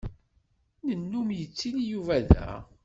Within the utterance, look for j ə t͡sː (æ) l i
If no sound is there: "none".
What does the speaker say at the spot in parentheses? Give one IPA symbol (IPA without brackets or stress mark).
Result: i